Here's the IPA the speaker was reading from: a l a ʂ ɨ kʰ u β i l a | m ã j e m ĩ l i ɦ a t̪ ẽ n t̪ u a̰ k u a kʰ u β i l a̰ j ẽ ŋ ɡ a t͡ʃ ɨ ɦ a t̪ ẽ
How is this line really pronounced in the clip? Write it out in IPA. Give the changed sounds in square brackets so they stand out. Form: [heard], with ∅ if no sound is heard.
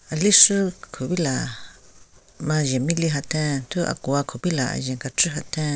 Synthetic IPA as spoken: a l [i] ʂ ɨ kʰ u β i l a | m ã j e m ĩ l i ɦ a t̪ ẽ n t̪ u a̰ k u a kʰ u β i l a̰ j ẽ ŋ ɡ a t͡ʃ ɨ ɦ a t̪ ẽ